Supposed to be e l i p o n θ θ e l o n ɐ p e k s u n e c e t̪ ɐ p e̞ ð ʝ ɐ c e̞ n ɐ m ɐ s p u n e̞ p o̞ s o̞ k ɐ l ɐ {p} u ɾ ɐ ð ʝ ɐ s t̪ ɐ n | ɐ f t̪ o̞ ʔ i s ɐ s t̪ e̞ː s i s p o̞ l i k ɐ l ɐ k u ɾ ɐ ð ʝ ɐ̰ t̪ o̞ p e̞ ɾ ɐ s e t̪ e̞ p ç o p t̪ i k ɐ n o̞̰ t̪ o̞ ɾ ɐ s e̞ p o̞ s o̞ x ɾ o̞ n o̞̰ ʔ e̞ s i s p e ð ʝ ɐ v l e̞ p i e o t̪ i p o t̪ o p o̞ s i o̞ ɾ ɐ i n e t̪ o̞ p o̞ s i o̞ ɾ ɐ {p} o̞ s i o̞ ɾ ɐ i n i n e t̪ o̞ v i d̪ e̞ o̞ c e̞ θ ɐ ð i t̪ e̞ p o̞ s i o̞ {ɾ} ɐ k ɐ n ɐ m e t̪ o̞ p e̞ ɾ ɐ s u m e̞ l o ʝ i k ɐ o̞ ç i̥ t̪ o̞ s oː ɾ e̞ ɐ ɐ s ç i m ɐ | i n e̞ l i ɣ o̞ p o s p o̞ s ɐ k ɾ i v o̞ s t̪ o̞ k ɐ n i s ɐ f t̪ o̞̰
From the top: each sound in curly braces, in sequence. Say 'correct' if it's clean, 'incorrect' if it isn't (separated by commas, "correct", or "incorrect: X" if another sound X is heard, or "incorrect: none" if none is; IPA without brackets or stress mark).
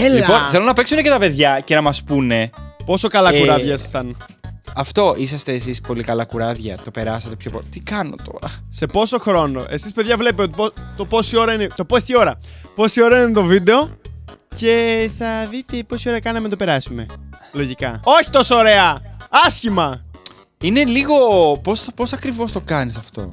incorrect: k, correct, correct